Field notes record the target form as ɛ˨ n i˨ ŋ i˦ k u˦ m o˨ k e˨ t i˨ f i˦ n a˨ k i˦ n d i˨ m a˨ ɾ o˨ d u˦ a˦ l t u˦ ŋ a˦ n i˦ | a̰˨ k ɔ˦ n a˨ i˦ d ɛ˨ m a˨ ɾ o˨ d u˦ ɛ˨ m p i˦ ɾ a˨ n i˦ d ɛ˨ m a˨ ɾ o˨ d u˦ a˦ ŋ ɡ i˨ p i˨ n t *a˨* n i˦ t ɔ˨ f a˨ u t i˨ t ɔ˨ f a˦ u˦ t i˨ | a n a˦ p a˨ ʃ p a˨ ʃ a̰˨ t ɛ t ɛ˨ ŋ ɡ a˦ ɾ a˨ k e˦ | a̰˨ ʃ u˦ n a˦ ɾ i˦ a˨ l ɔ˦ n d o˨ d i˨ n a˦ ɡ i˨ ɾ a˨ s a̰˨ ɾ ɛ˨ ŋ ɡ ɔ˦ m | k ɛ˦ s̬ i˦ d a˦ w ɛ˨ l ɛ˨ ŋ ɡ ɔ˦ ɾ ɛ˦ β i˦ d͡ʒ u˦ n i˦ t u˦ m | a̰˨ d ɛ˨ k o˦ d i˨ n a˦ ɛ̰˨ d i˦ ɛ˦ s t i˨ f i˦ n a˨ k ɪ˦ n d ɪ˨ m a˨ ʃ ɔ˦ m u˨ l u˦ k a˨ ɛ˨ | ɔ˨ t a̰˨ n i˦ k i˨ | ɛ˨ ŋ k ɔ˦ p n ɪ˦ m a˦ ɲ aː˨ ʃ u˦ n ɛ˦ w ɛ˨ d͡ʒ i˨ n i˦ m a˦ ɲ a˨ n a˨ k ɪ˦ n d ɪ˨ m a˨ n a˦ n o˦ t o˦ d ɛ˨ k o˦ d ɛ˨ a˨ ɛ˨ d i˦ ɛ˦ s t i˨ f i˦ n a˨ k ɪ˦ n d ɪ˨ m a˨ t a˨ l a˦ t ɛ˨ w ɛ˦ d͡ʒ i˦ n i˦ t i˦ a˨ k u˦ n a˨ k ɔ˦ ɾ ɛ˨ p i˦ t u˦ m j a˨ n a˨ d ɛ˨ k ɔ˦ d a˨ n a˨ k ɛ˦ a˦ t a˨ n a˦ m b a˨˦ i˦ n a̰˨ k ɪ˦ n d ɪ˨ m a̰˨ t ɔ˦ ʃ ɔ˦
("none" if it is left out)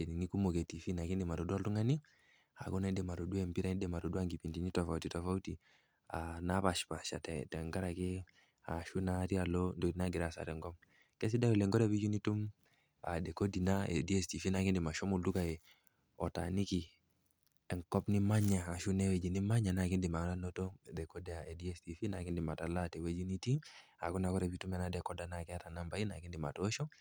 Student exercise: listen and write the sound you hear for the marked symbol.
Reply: i˨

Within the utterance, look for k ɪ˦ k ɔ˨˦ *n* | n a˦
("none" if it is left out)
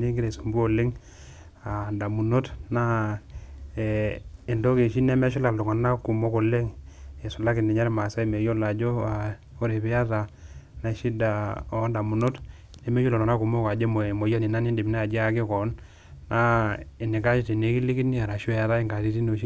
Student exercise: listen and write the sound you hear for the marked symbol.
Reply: n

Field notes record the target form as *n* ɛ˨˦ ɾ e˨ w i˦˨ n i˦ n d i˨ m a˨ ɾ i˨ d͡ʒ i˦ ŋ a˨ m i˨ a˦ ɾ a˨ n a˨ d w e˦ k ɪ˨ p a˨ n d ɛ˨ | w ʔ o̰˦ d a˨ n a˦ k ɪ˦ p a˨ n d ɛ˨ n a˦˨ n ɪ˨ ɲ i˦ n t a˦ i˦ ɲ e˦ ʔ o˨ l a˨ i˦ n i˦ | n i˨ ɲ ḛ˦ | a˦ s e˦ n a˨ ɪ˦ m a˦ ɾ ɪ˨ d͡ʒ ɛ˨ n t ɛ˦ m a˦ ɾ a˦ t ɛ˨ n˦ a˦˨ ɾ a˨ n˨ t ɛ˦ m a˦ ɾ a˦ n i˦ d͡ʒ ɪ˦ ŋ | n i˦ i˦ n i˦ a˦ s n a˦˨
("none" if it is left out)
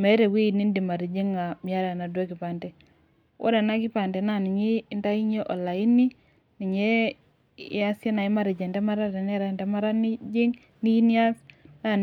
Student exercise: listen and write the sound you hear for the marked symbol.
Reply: m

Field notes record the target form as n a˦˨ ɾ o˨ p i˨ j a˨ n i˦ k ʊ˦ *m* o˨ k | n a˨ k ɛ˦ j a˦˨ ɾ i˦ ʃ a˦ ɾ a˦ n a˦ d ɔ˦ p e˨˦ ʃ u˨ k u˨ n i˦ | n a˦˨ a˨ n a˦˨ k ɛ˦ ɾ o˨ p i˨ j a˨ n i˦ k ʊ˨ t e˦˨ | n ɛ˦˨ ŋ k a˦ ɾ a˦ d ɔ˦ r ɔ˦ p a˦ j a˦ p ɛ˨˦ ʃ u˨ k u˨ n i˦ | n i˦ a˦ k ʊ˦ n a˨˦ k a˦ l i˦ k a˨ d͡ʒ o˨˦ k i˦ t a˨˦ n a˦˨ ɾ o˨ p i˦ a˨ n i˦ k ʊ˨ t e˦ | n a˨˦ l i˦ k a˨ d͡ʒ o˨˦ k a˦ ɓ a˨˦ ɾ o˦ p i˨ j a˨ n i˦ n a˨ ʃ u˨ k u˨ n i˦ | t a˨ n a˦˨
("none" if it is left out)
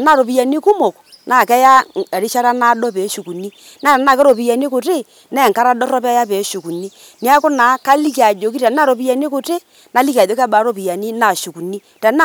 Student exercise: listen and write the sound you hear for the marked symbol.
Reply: m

